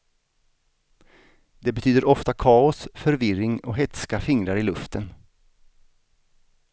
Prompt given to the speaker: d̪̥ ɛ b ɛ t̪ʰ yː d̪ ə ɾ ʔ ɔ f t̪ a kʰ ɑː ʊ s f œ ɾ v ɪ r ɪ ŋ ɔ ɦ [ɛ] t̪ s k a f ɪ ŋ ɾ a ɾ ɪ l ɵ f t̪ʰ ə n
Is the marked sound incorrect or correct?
correct